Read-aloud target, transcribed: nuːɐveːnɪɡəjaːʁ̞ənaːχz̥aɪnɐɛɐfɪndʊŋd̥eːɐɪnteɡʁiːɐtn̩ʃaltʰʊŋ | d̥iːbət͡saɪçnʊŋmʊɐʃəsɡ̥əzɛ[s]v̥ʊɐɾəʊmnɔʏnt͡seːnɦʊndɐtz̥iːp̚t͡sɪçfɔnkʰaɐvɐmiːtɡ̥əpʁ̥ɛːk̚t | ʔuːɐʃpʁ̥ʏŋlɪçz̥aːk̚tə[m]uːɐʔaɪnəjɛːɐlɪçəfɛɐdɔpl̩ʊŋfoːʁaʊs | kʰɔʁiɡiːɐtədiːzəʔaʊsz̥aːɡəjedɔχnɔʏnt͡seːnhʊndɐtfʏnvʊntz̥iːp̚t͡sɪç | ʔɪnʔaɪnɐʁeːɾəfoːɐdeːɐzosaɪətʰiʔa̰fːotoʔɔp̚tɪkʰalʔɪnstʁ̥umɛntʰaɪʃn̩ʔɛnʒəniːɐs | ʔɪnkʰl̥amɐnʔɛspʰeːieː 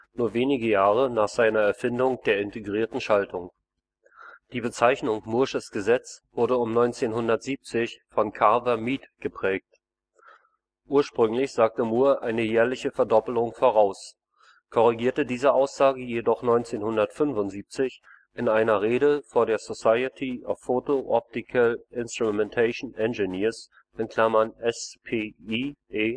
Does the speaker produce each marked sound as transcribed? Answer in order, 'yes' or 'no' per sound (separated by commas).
no, yes